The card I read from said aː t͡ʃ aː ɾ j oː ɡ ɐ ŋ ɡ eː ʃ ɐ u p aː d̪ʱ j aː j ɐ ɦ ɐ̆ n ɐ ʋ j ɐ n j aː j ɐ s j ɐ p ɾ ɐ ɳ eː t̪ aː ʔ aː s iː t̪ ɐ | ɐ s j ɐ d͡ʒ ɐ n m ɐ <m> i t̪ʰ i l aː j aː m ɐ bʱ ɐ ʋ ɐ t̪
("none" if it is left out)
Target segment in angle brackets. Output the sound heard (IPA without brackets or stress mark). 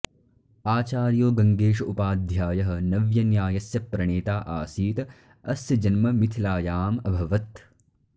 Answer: m